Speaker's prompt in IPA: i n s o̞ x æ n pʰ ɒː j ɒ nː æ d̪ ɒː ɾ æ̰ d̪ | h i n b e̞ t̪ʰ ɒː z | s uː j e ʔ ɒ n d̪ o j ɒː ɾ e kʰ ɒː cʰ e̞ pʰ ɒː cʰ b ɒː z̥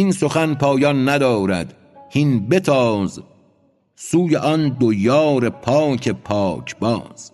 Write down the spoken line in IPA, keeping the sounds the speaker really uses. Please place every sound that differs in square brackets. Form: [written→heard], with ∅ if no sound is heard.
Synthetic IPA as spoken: i n s o̞ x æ n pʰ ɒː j ɒ nː æ d̪ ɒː ɾ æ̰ d̪ | h i n b e̞ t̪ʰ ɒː z | s uː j e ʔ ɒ n d̪ o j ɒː ɾ e [kʰ→pʰ] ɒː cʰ e̞ pʰ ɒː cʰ b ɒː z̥